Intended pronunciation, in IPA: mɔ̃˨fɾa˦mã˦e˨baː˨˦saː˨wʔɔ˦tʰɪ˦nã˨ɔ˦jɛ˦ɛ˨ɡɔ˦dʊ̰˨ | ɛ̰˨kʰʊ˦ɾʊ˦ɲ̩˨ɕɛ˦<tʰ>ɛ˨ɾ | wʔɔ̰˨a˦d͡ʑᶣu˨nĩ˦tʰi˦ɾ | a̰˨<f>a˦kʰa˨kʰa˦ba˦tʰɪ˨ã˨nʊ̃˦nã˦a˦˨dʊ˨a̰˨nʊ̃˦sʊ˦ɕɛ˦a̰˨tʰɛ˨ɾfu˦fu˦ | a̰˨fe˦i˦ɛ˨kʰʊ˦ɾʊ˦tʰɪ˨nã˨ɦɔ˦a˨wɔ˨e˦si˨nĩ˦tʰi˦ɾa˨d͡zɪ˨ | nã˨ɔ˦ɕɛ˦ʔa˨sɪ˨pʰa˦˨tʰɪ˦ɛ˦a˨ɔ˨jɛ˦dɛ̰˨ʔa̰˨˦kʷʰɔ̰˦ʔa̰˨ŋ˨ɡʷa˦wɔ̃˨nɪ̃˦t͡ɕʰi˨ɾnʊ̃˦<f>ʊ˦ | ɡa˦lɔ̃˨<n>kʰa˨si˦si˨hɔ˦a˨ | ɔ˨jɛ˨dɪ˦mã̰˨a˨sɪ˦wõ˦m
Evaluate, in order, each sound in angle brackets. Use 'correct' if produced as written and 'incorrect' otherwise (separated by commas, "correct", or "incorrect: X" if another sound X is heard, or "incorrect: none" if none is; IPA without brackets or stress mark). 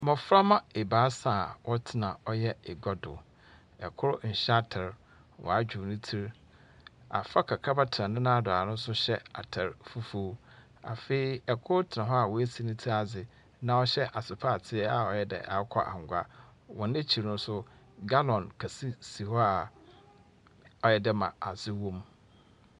correct, correct, incorrect: s, correct